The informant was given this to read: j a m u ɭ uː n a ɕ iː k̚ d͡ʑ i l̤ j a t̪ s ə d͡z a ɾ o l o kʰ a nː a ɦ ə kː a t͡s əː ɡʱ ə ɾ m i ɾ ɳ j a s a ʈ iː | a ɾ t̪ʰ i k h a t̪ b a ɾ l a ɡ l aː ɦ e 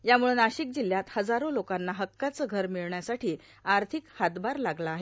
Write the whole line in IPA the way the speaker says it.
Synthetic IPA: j a m u ɭ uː n a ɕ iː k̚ d͡ʑ i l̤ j a t̪ h ə d͡z a ɾ o l o k a nː a ɦ ə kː a t͡s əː ɡʱ ə ɾ m i ɭ ɳ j a s a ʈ iː | a ɾ t̪ʰ i k h a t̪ b a ɾ l a ɡ l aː ɦ e